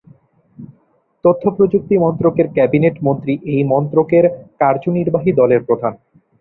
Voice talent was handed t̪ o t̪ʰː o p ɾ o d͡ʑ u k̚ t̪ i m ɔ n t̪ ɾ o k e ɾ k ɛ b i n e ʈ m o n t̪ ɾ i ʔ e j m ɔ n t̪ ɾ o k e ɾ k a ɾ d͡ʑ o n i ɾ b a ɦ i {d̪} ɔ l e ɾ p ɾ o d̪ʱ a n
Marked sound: correct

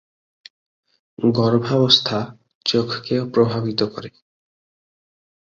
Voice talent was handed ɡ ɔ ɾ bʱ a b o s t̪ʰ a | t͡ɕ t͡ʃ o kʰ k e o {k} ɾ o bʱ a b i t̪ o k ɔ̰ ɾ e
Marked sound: incorrect: p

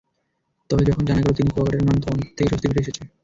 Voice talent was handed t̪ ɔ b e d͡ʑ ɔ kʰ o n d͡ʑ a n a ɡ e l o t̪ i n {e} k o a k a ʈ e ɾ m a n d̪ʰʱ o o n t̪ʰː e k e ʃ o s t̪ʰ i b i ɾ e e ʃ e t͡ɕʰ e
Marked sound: incorrect: i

